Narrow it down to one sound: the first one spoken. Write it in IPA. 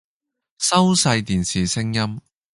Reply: s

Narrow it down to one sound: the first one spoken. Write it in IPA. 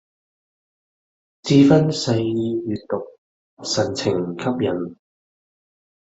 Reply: t͡s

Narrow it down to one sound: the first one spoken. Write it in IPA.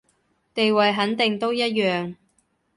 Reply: t̪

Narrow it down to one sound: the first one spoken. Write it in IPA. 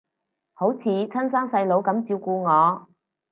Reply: h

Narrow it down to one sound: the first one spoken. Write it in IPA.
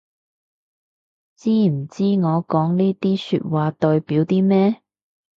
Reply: t͡s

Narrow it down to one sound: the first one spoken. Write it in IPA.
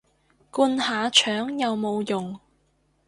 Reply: k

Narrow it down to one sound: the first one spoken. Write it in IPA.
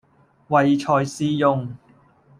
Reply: w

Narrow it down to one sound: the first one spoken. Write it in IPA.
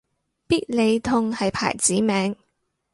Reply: p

